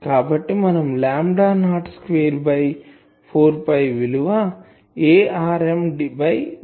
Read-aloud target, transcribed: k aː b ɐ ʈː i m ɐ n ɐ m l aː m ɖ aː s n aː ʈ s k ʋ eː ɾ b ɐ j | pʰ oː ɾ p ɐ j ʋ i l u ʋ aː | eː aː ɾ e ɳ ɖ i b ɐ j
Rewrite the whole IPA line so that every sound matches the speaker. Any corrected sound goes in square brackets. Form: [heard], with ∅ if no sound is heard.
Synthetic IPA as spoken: k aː b ɐ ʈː i m ɐ n ɐ m l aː m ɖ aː [∅] n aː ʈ s k ʋ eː ɾ b ɐ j | pʰ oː ɾ p ɐ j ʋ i l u ʋ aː | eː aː ɾ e [m] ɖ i b ɐ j

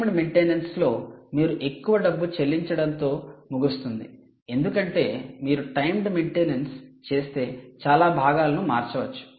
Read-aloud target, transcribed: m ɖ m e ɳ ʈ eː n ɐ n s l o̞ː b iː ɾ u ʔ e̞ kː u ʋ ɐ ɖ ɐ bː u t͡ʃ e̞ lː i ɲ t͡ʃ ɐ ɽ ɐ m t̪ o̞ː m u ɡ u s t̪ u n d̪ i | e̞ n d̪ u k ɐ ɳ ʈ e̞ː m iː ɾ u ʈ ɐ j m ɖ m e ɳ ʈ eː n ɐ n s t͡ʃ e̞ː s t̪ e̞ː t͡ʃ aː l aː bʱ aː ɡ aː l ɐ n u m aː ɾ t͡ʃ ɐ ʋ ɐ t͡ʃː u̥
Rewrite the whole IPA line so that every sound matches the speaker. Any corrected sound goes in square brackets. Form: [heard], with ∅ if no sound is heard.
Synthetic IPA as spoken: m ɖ m e ɳ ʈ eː n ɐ n s l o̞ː [m] iː ɾ u ʔ e̞ kː u ʋ ɐ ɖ ɐ bː u t͡ʃ e̞ lː i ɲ t͡ʃ ɐ ɽ ɐ [n] t̪ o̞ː m u ɡ u s t̪ u n d̪ i | e̞ n d̪ u k ɐ ɳ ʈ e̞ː m iː ɾ u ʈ ɐ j m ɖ m e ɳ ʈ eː n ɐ n s t͡ʃ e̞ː s t̪ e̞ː t͡ʃ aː l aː bʱ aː ɡ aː l ɐ n u m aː ɾ t͡ʃ ɐ ʋ ɐ t͡ʃː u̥

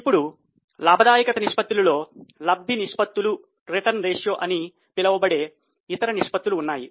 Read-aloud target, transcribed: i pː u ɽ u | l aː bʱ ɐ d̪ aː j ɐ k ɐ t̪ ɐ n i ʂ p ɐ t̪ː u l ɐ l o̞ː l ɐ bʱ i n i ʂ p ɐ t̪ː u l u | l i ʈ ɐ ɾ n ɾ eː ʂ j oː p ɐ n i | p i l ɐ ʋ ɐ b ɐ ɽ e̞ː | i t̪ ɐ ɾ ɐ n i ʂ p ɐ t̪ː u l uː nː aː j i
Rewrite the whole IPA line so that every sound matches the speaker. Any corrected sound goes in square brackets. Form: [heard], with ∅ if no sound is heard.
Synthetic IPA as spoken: i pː u ɽ u | l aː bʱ ɐ d̪ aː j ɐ k ɐ t̪ ɐ n i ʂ p ɐ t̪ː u l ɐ l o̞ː l ɐ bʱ i n i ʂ p ɐ t̪ː u l u | [ɾ] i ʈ ɐ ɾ n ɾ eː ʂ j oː [ʔ] ɐ n i | p i l ɐ ʋ ɐ b ɐ ɽ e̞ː | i t̪ ɐ ɾ ɐ n i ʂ p ɐ t̪ː u l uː nː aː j i

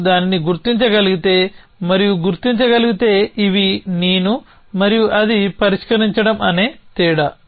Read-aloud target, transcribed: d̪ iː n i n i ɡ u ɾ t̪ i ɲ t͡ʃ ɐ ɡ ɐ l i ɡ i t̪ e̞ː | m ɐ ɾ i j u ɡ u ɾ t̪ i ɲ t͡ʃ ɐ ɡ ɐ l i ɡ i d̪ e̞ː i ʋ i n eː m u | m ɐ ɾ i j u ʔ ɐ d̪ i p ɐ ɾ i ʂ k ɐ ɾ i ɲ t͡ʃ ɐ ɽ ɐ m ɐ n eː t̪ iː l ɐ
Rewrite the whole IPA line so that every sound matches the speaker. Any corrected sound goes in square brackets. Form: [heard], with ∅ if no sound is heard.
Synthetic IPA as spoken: d̪ [aː] n i n i ɡ u ɾ t̪ i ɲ t͡ʃ ɐ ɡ ɐ l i ɡ i t̪ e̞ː | m ɐ ɾ i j u ɡ u ɾ t̪ i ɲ t͡ʃ ɐ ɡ ɐ l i ɡ i [t̪] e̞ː i ʋ i n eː [n] u | m ɐ ɾ i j u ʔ ɐ d̪ i p ɐ ɾ i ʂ k ɐ ɾ i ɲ t͡ʃ ɐ ɽ ɐ m ɐ n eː t̪ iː [ɽ] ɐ

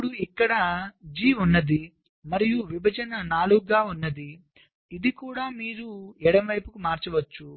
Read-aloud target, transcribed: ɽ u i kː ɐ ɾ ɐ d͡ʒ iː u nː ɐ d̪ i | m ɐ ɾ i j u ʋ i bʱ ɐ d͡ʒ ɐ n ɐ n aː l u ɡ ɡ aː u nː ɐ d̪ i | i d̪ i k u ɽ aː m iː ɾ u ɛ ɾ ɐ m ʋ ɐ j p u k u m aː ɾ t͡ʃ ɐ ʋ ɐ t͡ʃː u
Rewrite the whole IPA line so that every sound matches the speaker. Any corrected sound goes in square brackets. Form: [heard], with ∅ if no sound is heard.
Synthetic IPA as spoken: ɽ u i kː ɐ [ɽ] ɐ d͡ʒ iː u nː ɐ d̪ i | m ɐ ɾ i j u ʋ i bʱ ɐ d͡ʒ ɐ n ɐ n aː l u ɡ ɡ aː u nː ɐ d̪ i | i d̪ i k [uː] ɽ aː m iː ɾ u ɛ [ɽ] ɐ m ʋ ɐ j p u k u m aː ɾ t͡ʃ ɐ ʋ ɐ t͡ʃː u

